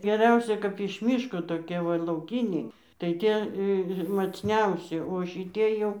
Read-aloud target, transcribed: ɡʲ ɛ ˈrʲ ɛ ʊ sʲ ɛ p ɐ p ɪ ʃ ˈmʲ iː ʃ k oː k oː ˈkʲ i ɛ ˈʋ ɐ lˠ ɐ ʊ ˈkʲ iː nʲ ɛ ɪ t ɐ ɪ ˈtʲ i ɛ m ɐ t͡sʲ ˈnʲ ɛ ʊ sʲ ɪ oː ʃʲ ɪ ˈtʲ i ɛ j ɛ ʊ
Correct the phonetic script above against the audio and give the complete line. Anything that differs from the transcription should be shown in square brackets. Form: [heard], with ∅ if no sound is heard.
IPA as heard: ɡʲ ɛ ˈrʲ ɛ ʊ sʲ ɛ [k] ɐ p ɪ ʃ ˈmʲ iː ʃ k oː [t] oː ˈkʲ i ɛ ˈʋ ɐ lˠ ɐ ʊ ˈkʲ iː nʲ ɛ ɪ t ɐ ɪ ˈtʲ i ɛ m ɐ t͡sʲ ˈnʲ ɛ ʊ sʲ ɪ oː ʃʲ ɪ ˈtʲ i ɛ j ɛ ʊ

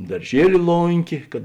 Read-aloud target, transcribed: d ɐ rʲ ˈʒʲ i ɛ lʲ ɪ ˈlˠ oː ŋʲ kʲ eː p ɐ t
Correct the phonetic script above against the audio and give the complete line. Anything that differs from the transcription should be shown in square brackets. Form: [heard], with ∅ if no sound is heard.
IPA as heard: d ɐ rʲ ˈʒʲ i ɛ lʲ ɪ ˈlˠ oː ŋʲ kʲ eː [k] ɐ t

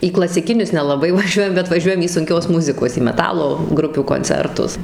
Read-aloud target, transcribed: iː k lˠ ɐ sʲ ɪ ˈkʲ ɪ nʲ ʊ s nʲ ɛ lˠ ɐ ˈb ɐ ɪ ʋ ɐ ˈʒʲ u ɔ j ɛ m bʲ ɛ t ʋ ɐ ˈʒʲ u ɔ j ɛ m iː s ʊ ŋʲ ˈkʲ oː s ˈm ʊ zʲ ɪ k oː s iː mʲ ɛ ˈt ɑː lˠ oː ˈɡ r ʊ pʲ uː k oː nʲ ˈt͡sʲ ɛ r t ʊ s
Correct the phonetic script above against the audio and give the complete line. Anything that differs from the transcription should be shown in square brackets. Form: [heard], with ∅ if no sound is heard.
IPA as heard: iː k lˠ ɐ sʲ ɪ ˈkʲ ɪ nʲ ʊ s nʲ ɛ lˠ ɐ ˈb ɐ ɪ ʋ ɐ ˈʒʲ u ɔ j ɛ m bʲ ɛ t ʋ ɐ ˈʒʲ u ɔ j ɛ m iː s ʊ ŋʲ ˈkʲ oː s ˈm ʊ zʲ ɪ k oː s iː mʲ ɛ ˈt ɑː lˠ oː ˈɡ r ʊ pʲ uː k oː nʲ ˈt͡sʲ ɛ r t ʊ s

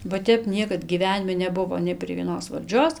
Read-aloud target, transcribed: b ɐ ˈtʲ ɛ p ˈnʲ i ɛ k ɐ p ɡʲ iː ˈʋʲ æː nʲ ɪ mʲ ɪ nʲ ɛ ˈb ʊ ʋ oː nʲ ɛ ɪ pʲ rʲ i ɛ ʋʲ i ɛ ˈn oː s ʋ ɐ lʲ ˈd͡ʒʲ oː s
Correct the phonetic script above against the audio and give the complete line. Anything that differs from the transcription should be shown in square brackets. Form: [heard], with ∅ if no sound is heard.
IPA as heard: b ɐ ˈtʲ ɛ p ˈnʲ i ɛ k ɐ [t] ɡʲ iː ˈʋʲ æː nʲ ɪ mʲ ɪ nʲ ɛ ˈb ʊ ʋ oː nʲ ɛ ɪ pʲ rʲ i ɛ ʋʲ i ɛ ˈn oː s ʋ ɐ lʲ ˈd͡ʒʲ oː s

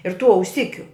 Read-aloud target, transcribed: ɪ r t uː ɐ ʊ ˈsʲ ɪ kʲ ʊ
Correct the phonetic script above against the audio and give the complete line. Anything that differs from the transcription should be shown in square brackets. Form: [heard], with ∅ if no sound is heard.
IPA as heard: ɪ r t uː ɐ ʊ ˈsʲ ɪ kʲ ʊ

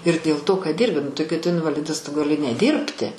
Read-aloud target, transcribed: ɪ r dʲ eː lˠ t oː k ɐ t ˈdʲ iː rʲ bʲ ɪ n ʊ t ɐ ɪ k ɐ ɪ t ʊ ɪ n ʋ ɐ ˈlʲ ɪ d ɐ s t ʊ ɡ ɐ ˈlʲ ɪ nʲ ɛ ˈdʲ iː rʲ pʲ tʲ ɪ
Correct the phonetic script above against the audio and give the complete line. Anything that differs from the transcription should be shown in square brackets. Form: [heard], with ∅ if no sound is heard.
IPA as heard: ɪ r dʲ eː lˠ t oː k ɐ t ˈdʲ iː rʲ bʲ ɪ n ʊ t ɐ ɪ k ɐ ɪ t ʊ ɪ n ʋ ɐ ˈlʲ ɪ d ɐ s t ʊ ɡ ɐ ˈlʲ ɪ nʲ ɛ ˈdʲ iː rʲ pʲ tʲ ɪ

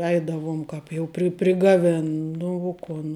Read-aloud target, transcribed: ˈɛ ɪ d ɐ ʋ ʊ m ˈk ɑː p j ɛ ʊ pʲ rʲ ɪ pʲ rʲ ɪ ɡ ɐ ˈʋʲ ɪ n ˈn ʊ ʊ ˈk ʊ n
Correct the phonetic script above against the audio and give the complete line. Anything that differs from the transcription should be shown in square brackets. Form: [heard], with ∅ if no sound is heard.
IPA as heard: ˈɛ ɪ d ɐ ʋ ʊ m ˈk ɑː p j ɛ ʊ pʲ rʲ ɪ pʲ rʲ ɪ ɡ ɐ ˈʋʲ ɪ n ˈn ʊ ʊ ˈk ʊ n

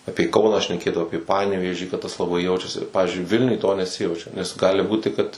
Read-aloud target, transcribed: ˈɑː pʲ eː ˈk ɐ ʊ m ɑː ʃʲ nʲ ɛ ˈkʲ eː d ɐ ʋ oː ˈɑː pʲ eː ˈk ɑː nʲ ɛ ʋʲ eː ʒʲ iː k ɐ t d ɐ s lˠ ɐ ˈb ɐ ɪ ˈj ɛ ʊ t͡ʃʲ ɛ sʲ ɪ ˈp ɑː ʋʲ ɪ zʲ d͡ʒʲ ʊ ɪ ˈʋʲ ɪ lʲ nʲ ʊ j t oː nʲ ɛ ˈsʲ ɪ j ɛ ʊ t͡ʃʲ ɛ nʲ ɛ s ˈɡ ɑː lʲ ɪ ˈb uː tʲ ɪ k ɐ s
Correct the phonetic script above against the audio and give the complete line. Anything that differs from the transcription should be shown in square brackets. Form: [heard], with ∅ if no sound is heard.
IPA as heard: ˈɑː pʲ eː ˈk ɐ ʊ [n] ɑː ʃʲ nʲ ɛ ˈkʲ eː d ɐ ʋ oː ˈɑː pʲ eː [ˈp] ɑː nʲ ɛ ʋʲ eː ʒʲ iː k ɐ t [t] ɐ s lˠ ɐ ˈb ɐ ɪ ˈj ɛ ʊ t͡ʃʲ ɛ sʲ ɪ ˈp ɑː ʋʲ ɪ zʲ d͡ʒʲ ʊ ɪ ˈʋʲ ɪ lʲ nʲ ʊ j t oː nʲ ɛ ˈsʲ ɪ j ɛ ʊ t͡ʃʲ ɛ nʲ ɛ s ˈɡ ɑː lʲ ɪ ˈb uː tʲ ɪ k ɐ [t]

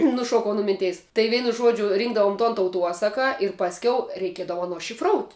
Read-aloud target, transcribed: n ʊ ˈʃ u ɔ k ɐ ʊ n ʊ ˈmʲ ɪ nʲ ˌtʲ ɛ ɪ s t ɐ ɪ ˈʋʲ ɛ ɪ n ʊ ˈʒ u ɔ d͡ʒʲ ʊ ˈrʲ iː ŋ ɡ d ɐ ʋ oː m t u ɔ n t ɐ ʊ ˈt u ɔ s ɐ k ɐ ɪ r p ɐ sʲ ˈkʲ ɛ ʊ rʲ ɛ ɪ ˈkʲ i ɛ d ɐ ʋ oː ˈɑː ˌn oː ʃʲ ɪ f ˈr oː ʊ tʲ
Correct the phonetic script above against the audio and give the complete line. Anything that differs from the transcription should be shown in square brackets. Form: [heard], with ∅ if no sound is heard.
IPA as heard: n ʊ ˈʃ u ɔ k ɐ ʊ n ʊ ˈmʲ ɪ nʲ ˌtʲ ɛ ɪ s t ɐ ɪ ˈʋʲ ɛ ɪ n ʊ ˈʒ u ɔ d͡ʒʲ ʊ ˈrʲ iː ŋ ɡ d ɐ ʋ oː m t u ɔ n t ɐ ʊ ˈt u ɔ s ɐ k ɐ ɪ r p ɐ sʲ ˈkʲ ɛ ʊ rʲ ɛ ɪ ˈkʲ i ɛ d ɐ ʋ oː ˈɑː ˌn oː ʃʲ ɪ f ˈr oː ʊ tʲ

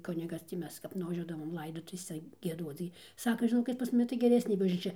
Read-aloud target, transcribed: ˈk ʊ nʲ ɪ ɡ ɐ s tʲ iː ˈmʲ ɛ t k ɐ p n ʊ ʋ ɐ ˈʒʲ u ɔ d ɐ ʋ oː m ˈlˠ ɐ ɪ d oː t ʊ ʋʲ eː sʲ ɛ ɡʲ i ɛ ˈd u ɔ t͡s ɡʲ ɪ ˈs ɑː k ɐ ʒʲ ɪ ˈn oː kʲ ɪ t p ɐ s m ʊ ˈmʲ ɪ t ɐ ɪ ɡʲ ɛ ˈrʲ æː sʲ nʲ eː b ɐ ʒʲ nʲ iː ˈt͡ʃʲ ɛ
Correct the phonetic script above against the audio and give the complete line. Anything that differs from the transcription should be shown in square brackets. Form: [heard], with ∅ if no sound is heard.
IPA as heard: ˈk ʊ nʲ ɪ ɡ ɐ s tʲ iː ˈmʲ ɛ [s] k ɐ p n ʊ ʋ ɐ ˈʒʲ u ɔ d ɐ ʋ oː m ˈlˠ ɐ ɪ d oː t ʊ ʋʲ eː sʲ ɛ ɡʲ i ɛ ˈd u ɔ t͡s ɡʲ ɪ ˈs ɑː k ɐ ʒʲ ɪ ˈn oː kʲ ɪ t p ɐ s m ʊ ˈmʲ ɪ t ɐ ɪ ɡʲ ɛ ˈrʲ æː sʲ nʲ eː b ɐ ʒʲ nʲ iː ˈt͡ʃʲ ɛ

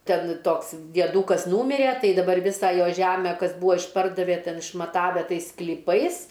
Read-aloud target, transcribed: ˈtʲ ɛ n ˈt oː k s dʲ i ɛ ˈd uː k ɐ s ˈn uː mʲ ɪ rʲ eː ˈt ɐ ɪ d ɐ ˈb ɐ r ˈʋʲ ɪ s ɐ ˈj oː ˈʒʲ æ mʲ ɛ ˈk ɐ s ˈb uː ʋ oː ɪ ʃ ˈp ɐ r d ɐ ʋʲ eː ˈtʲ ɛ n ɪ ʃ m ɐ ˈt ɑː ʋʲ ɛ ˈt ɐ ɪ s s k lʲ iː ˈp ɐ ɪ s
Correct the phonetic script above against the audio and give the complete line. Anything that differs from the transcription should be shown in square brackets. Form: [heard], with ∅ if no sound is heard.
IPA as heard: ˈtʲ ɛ n ˈt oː k s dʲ i ɛ ˈd uː k ɐ s ˈn uː mʲ ɪ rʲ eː ˈt ɐ ɪ d ɐ ˈb ɐ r ˈʋʲ ɪ s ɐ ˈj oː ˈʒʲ æ mʲ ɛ ˈk ɐ s ˈb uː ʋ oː ɪ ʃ ˈp ɐ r d ɐ ʋʲ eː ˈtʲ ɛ n ɪ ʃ m ɐ ˈt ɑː ʋʲ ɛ ˈt ɐ ɪ s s k lʲ iː ˈp ɐ ɪ s

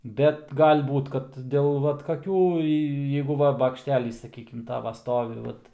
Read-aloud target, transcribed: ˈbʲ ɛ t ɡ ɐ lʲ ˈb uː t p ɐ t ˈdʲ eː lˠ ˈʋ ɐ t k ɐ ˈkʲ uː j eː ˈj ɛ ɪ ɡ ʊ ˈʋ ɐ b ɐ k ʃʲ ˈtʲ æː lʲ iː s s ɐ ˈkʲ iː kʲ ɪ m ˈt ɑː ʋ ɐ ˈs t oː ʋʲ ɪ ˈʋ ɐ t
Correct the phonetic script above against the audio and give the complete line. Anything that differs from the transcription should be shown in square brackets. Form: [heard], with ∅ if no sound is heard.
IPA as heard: ˈbʲ ɛ t ɡ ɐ lʲ ˈb uː t [k] ɐ t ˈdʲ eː lˠ ˈʋ ɐ t k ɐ ˈkʲ uː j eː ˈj ɛ ɪ ɡ ʊ ˈʋ ɐ b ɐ k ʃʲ ˈtʲ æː lʲ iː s s ɐ ˈkʲ iː kʲ ɪ m ˈt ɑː ʋ ɐ ˈs t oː ʋʲ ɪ ˈʋ ɐ t

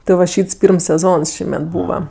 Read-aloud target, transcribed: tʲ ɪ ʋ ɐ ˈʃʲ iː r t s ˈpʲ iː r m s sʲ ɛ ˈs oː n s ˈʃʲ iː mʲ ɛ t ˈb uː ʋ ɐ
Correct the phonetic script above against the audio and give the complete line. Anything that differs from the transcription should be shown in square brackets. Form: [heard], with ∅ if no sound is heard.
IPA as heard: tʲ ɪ ʋ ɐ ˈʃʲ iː [∅] t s ˈpʲ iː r m s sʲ ɛ [ˈz] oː n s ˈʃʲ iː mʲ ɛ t ˈb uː ʋ ɐ

